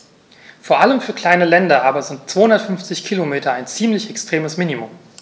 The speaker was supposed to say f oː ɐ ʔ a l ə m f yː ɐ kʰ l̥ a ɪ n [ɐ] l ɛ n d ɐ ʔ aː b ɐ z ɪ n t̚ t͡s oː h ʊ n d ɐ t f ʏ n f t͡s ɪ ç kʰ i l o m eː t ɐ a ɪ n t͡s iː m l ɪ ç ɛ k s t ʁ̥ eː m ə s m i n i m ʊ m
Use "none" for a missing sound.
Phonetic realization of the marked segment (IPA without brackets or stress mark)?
ə